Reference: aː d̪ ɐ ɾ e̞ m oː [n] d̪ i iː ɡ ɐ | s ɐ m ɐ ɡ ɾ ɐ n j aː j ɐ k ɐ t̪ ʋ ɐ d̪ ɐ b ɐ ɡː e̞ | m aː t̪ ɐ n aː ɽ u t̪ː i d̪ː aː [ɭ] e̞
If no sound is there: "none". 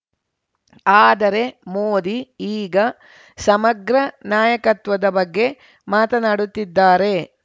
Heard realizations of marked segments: none, ɾ

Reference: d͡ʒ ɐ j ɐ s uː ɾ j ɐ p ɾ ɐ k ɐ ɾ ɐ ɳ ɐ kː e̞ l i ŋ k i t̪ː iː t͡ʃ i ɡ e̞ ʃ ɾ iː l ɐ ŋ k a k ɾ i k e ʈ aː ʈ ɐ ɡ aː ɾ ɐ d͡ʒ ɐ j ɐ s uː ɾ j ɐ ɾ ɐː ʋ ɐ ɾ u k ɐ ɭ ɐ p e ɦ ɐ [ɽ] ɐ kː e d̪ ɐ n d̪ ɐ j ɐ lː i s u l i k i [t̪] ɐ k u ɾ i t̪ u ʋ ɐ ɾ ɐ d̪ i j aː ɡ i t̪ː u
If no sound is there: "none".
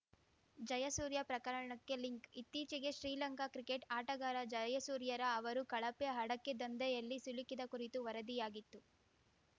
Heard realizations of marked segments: ɽ, d̪

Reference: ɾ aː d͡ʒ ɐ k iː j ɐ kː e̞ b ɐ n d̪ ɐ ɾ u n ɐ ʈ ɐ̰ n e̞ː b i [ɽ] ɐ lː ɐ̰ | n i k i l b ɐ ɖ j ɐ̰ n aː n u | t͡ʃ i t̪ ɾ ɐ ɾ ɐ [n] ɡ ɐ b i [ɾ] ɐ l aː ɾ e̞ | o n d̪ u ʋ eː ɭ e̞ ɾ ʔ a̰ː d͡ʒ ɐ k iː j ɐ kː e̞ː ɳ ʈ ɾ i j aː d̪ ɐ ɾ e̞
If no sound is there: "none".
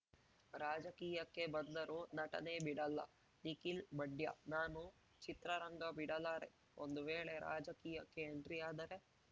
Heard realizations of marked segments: ɽ, ŋ, ɽ

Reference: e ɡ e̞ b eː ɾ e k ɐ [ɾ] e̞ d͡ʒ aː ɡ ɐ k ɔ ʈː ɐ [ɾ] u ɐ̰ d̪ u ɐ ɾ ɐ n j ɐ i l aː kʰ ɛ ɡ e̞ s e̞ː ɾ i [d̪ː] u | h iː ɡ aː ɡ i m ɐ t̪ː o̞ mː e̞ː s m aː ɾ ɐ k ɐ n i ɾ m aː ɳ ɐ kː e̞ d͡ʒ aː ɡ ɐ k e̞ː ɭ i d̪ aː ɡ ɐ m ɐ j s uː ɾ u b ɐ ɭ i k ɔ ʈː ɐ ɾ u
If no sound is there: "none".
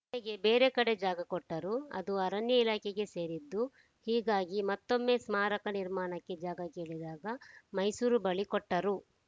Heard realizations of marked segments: ɽ, ɾ, d̪ː

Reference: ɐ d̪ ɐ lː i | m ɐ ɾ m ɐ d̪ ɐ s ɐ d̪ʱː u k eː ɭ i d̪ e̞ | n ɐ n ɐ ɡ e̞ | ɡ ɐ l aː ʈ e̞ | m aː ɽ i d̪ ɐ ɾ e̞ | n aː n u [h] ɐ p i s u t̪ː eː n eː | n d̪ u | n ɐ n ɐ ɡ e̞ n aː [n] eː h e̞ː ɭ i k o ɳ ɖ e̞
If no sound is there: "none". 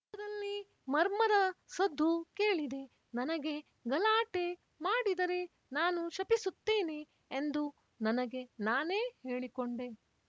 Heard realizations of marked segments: ʃ, n

